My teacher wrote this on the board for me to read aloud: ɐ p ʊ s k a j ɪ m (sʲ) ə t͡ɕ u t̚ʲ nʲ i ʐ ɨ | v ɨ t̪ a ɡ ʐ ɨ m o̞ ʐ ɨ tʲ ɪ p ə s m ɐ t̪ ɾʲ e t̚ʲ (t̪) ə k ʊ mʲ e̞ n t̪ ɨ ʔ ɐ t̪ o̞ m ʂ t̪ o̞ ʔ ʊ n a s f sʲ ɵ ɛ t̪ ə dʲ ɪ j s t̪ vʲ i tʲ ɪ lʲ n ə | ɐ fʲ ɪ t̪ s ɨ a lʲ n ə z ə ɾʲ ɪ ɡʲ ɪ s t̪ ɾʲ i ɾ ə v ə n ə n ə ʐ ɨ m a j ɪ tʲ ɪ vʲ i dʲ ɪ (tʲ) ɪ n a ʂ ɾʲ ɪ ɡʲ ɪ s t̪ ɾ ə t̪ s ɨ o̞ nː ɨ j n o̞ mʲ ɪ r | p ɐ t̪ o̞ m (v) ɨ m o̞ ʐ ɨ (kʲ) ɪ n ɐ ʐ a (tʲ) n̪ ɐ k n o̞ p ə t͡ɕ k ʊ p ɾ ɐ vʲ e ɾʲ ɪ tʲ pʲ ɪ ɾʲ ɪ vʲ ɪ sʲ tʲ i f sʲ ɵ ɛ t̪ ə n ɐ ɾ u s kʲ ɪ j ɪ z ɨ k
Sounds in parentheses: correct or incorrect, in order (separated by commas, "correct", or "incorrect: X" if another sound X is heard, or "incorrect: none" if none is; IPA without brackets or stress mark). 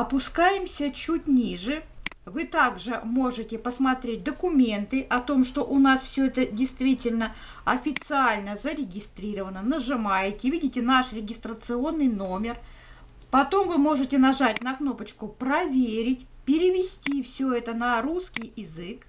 correct, incorrect: d̪, correct, correct, incorrect: tʲ, correct